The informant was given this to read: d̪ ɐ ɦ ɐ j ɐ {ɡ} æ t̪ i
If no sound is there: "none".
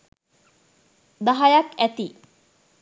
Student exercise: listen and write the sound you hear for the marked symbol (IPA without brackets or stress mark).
k